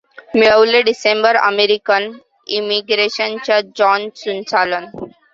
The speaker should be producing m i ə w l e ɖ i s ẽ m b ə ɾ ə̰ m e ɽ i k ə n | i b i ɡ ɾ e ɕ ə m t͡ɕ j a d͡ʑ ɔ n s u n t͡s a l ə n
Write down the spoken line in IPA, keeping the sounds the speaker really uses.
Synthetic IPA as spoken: m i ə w l e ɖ i s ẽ m b ə ɾ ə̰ m e ɾ i k ə n | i m i ɡ ɾ e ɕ ə n t͡ɕ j a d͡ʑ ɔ n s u n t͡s a l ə n